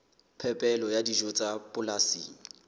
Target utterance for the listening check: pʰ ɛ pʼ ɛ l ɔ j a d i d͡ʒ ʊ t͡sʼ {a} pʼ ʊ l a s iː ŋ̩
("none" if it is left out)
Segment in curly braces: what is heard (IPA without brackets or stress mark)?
a